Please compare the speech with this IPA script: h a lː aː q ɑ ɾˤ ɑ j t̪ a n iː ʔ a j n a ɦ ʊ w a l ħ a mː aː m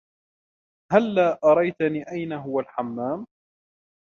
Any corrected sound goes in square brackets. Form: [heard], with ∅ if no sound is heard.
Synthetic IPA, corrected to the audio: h a lː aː [ʔ] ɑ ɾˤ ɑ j t̪ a n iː ʔ a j n a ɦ ʊ w a l ħ a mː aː m